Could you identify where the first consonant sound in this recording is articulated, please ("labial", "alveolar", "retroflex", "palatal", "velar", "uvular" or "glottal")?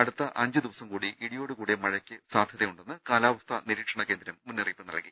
retroflex